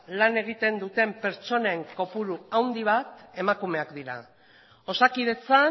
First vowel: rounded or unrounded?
unrounded